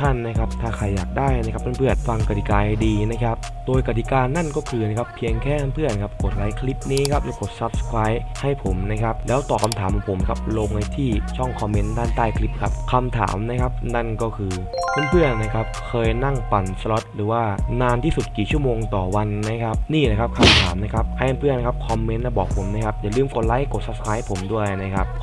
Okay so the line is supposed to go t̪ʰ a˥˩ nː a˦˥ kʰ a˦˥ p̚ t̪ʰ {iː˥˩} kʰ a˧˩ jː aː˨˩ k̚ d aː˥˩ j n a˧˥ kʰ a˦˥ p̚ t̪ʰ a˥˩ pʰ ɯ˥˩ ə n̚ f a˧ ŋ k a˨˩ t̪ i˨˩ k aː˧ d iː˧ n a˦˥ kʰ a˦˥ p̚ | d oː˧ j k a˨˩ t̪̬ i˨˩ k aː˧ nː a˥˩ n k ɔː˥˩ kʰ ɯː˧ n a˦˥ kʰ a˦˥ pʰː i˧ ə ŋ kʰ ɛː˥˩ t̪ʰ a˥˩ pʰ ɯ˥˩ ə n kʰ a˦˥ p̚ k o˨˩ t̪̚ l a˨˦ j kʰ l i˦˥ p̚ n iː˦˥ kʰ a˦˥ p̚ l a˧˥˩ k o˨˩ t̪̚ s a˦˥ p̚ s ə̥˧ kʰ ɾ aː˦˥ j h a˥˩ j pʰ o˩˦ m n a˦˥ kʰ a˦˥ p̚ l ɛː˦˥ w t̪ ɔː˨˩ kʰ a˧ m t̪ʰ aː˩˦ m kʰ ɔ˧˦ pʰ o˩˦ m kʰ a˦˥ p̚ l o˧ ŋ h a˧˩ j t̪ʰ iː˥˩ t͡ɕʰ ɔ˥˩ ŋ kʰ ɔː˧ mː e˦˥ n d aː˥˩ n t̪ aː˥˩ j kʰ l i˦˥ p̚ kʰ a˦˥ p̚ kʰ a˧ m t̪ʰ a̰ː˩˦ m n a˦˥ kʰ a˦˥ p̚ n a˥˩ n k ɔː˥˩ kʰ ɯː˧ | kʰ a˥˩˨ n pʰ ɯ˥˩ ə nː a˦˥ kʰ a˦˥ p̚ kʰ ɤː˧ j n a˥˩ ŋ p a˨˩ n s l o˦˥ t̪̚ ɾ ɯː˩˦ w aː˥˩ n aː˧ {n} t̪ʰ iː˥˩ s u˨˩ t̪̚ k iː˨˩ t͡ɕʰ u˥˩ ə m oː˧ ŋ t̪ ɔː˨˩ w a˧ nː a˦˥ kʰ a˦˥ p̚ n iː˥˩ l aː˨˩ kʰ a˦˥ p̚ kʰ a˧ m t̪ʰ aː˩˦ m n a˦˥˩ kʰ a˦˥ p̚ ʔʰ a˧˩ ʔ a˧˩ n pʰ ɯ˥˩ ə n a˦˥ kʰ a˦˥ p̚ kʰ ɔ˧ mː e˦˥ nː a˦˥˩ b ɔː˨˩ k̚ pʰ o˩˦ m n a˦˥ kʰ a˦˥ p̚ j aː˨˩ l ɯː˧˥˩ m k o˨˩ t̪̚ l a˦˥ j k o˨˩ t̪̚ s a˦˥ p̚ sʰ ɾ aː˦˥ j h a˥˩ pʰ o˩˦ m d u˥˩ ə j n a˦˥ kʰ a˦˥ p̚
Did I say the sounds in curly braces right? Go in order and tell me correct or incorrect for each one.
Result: incorrect: aː˥˩, correct

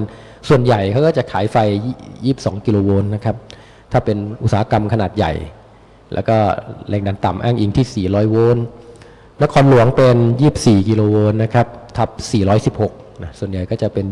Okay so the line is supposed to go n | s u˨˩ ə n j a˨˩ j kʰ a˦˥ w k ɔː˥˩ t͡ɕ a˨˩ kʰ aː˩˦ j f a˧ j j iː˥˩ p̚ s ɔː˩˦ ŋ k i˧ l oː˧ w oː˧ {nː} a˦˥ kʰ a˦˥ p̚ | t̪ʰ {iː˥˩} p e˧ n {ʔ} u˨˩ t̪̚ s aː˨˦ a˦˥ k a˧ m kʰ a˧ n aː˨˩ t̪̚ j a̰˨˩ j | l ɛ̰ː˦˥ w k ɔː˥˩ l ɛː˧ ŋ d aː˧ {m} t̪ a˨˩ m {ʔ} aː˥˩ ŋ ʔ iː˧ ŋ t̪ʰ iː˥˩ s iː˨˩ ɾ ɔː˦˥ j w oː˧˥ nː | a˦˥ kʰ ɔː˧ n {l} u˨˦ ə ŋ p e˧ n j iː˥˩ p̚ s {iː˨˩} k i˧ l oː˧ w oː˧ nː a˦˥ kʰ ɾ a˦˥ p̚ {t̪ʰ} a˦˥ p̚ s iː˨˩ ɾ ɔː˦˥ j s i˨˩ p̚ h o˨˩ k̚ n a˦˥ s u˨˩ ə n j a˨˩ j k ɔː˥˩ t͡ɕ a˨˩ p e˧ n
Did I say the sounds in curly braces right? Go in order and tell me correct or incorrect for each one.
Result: correct, incorrect: aː˥˩, correct, incorrect: n, correct, correct, correct, correct

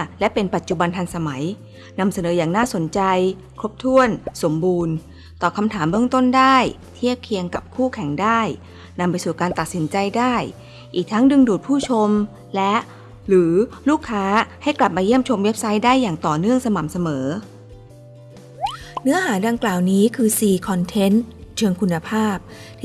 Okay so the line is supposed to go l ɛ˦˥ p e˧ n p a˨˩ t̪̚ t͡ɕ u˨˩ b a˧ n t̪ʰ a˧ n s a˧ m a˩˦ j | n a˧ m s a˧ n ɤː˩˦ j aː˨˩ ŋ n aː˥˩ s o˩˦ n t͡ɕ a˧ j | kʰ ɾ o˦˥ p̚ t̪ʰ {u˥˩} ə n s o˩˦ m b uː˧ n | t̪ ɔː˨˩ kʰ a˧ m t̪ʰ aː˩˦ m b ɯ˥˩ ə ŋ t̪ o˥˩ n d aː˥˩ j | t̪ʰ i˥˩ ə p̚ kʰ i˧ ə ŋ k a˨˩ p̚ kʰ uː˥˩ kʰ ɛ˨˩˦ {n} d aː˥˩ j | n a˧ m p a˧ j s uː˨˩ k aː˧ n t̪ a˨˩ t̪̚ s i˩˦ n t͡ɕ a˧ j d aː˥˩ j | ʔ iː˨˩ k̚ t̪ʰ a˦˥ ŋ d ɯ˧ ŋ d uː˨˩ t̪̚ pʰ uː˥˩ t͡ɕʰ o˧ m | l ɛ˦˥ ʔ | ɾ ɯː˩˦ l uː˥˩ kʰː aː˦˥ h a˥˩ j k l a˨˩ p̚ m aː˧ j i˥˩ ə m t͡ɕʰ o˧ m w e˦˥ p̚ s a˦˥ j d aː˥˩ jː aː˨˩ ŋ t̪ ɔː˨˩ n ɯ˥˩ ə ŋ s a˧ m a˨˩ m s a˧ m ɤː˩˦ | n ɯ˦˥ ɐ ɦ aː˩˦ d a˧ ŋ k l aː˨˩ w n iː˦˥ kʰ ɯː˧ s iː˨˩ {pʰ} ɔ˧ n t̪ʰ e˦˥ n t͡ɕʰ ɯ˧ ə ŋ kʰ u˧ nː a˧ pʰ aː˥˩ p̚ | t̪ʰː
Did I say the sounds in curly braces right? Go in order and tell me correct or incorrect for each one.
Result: correct, incorrect: ŋ, incorrect: kʰ

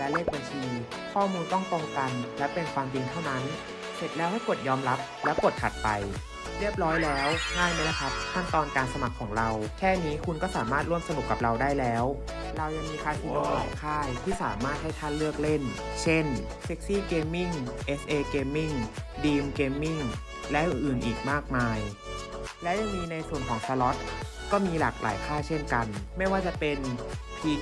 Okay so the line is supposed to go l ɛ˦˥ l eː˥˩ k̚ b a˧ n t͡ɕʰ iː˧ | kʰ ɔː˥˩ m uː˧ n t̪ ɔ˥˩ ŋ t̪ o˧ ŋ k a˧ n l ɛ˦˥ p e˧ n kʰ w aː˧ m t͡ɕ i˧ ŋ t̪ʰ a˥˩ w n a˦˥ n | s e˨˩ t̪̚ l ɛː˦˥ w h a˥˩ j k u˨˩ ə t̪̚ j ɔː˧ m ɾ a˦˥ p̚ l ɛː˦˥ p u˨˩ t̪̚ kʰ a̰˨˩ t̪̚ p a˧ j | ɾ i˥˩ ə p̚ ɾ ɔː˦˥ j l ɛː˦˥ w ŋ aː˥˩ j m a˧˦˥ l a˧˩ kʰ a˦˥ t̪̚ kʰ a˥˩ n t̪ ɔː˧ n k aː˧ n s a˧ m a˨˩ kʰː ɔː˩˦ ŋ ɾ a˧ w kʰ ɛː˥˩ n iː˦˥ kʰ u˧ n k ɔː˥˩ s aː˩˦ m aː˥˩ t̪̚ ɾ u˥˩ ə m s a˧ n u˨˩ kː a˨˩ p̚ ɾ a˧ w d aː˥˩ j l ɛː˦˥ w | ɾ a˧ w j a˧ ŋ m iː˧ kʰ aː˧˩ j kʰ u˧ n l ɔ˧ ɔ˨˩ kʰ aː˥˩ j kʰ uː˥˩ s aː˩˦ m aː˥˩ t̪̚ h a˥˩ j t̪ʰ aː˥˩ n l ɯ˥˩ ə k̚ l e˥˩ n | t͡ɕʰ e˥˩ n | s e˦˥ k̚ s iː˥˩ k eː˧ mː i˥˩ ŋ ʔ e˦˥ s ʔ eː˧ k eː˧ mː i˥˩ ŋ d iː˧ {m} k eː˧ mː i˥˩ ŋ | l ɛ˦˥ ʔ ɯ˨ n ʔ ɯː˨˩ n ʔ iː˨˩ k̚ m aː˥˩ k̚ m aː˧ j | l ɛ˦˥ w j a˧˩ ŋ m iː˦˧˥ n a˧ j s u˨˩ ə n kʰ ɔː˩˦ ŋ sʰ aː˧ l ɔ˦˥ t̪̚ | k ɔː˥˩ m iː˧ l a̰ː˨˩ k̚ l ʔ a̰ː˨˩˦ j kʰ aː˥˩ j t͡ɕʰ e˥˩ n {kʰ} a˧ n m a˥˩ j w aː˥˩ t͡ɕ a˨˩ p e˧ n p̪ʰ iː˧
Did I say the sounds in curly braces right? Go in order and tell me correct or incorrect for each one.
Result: correct, incorrect: k

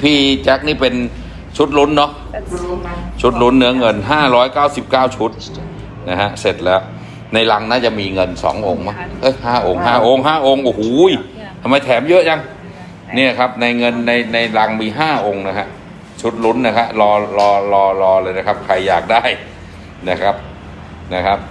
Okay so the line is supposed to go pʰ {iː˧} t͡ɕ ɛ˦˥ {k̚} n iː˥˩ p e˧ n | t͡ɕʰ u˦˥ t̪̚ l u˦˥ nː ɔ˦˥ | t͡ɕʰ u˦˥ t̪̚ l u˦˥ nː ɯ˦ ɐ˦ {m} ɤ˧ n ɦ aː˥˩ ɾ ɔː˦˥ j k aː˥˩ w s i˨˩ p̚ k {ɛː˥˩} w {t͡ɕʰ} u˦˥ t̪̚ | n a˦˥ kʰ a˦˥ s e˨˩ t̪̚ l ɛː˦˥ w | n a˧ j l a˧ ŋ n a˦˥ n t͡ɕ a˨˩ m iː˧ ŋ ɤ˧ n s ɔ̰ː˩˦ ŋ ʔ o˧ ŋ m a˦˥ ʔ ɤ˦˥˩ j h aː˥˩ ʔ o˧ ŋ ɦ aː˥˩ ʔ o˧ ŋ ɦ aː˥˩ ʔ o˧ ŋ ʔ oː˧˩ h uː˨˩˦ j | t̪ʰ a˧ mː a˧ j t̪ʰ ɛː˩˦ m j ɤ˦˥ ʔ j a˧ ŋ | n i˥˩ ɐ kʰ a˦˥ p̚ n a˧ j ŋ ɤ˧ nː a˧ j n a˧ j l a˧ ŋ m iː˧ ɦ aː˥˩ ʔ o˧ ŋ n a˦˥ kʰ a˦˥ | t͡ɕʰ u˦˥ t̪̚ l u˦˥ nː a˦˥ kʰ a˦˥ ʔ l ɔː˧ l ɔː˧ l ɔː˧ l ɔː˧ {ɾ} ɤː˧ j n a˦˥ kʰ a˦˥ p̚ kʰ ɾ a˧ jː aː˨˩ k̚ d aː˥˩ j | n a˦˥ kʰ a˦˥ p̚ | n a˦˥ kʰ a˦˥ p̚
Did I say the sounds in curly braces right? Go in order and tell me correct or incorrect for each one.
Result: incorrect: iː˥˩, correct, incorrect: ŋ, incorrect: aː˥˩, correct, incorrect: l

